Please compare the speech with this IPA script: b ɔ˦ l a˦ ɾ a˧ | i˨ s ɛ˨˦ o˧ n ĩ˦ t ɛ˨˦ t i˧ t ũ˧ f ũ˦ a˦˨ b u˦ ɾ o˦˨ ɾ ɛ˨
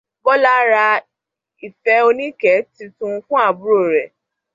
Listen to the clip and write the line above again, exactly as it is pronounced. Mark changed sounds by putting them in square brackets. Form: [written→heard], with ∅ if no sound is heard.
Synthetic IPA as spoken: b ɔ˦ l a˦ ɾ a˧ | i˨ [s→f] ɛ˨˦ o˧ n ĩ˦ [t→k] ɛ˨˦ t i˧ t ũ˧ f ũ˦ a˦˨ b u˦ ɾ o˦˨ ɾ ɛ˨